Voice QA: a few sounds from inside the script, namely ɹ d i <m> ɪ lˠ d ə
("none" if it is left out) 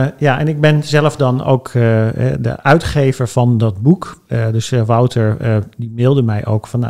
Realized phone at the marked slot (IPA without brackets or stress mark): m